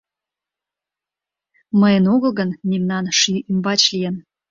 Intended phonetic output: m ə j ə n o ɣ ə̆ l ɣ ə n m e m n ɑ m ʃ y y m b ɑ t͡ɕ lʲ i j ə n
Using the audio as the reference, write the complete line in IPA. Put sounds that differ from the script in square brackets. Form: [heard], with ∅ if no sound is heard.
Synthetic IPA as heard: m ə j ə n o ɣ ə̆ l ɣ ə n m e m n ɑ [n] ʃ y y m b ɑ t͡ɕ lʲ i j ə n